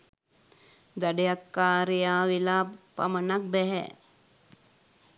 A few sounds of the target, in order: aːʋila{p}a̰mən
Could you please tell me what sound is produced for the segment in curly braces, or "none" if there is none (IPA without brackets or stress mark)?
p